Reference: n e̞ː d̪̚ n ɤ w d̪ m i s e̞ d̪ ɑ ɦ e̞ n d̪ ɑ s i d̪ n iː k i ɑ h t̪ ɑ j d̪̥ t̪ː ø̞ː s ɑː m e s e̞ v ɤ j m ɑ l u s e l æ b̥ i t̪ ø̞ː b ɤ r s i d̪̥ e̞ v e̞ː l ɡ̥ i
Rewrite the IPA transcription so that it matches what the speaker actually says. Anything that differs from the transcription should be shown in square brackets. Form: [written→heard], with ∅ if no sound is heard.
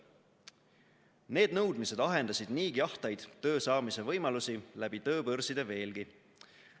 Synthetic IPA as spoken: n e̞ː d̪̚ n ɤ w d̪ m i s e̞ d̪ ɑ ɦ e̞ n d̪ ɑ s i d̪ n iː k i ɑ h t̪ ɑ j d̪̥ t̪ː ø̞ː s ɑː m [e→i] s e̞ v ɤ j m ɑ l u s [e→i] l æ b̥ i t̪ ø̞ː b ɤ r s i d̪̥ e̞ v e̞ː l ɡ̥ i